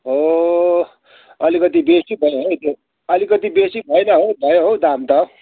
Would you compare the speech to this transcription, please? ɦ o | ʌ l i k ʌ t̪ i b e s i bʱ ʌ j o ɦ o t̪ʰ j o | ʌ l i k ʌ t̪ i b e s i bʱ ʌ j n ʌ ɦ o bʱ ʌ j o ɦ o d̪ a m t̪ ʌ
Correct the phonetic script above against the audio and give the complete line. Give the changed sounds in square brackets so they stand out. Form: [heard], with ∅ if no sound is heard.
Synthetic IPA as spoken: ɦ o | ʌ l i k ʌ t̪ i b e s i bʱ ʌ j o ɦ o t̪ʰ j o | ʌ l i k ʌ t̪ i b e s i bʱ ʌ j n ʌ ɦ o bʱ ʌ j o ɦ o d̪ a m t̪ ʌ